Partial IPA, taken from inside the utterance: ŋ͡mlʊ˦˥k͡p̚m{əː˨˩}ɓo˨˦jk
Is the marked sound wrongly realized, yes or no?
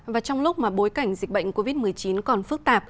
yes